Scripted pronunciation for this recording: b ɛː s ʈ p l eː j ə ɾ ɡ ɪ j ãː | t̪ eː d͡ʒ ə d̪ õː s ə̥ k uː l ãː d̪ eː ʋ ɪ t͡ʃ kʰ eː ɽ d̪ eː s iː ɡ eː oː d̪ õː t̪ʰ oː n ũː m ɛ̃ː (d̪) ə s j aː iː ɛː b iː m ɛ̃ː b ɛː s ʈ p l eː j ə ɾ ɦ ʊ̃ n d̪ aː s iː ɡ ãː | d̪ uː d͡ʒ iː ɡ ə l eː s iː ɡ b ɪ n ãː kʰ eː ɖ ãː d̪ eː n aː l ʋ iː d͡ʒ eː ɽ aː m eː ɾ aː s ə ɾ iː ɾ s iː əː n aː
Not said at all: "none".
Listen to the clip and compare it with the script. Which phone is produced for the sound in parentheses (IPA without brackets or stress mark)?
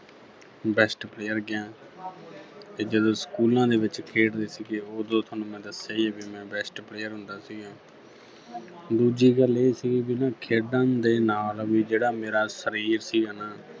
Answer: d̪